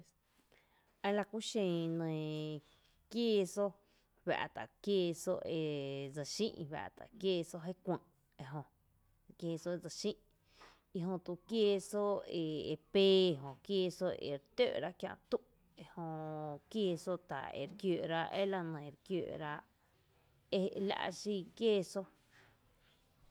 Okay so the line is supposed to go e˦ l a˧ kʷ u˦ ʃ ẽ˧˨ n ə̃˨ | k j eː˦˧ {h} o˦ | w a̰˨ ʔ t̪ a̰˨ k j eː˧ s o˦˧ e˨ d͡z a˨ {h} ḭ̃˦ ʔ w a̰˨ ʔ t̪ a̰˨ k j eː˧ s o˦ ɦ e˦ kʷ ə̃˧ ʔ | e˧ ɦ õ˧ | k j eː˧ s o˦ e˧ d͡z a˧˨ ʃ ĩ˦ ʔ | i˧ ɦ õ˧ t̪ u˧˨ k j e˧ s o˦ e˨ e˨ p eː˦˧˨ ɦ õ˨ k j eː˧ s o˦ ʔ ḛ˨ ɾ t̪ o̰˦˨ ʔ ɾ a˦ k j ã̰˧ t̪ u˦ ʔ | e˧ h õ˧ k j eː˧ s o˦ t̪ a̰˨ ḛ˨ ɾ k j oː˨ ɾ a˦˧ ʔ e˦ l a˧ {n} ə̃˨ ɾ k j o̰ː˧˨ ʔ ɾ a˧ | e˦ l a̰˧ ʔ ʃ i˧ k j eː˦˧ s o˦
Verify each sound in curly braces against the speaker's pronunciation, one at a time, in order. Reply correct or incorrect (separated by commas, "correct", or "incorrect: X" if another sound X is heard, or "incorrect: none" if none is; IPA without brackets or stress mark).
incorrect: s, incorrect: ʃ, correct